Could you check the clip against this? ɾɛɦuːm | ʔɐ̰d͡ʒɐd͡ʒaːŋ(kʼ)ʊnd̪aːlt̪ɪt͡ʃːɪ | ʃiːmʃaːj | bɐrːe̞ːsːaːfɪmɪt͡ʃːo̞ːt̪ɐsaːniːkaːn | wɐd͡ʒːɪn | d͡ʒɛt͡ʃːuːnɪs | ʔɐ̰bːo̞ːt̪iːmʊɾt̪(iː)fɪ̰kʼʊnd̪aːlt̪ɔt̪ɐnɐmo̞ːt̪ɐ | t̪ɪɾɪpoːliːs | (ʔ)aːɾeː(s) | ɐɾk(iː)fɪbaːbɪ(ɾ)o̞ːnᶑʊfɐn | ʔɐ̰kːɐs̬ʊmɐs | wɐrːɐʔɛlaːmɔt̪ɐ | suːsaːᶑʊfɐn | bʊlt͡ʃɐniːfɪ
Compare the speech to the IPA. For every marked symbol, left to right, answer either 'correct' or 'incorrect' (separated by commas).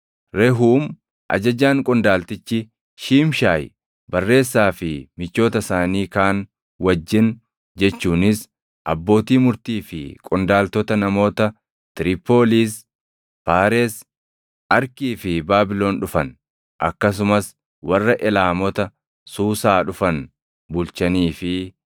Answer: correct, correct, incorrect, correct, correct, incorrect